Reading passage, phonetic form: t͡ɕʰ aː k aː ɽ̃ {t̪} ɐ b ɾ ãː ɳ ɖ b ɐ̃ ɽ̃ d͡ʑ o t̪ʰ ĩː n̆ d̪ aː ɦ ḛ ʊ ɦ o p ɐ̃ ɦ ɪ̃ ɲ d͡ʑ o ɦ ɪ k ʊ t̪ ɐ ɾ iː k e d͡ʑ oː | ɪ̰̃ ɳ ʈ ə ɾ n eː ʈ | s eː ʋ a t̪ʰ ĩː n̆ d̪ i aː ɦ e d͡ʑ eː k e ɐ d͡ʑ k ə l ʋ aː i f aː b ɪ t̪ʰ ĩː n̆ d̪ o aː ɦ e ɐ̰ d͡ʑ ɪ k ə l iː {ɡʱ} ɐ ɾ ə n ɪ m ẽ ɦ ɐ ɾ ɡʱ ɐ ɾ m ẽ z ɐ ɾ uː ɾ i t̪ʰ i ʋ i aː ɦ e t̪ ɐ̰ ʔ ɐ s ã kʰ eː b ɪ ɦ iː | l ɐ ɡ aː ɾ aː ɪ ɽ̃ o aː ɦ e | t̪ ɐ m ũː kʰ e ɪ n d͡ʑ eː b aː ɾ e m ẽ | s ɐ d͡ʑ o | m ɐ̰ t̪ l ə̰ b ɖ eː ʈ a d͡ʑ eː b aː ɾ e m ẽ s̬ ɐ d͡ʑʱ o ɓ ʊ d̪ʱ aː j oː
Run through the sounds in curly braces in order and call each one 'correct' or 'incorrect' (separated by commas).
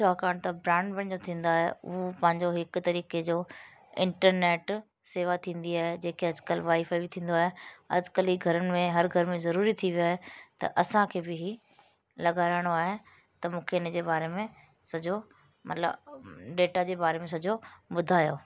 correct, correct